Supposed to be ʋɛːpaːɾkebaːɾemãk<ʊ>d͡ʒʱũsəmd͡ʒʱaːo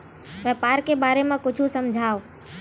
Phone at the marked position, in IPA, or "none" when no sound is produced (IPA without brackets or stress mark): ʊ